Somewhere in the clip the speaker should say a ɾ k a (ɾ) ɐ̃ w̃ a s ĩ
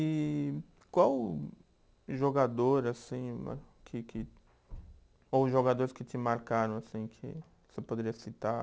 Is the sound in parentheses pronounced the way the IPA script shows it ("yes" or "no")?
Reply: yes